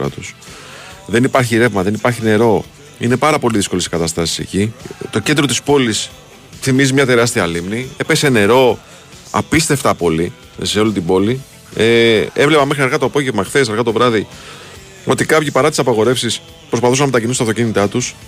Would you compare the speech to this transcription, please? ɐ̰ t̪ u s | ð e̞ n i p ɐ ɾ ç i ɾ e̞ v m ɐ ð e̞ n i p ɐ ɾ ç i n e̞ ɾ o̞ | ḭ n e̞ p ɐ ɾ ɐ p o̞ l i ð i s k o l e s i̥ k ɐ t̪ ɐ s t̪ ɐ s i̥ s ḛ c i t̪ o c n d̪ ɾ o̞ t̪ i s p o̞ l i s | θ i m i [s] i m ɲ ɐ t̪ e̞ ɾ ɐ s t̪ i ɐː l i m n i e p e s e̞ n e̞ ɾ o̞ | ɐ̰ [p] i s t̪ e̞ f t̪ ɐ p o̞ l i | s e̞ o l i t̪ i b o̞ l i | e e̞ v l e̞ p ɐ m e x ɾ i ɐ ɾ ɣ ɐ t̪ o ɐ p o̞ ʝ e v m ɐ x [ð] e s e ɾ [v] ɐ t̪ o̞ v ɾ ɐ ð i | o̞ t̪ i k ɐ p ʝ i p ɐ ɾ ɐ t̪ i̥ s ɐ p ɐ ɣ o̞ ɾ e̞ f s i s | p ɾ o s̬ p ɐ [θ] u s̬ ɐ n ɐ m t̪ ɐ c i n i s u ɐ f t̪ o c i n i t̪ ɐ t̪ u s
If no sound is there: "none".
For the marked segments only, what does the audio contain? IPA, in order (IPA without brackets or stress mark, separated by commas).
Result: z, p, θ, ɣ, θ